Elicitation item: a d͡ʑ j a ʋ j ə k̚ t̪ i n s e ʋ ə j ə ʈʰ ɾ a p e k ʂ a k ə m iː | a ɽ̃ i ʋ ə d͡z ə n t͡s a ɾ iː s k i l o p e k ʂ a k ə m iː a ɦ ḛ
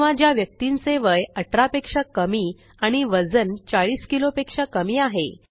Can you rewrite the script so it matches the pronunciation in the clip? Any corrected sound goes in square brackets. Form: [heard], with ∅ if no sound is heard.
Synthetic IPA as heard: a d͡ʑ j a ʋ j ə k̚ t̪ i n s e ʋ ə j ə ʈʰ ɾ a p e k ʂ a k ə m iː | a ɽ̃ i ʋ ə d͡z ə n t͡s a [ɭ] iː s k i l o p e k ʂ a k ə m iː a ɦ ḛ